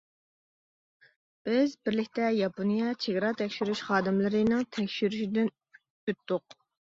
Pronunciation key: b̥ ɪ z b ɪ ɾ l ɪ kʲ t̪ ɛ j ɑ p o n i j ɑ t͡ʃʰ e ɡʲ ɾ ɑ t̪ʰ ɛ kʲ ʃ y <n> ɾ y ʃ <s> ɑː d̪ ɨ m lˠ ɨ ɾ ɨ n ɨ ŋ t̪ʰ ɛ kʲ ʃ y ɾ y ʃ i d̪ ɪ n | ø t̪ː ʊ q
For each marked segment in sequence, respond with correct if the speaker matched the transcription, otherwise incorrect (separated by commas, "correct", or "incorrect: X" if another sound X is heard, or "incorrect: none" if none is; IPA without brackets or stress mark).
incorrect: none, incorrect: χ